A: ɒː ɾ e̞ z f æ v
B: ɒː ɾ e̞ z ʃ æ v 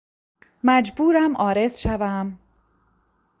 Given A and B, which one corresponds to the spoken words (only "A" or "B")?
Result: B